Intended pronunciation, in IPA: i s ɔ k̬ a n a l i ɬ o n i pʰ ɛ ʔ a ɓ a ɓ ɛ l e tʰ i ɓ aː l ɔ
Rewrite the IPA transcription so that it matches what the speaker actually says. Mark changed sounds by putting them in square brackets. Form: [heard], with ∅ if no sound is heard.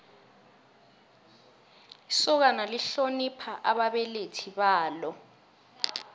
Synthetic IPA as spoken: i s ɔ k̬ a n a l i ɬ o n i pʰ [a] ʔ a ɓ a ɓ ɛ l e tʰ i ɓ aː l ɔ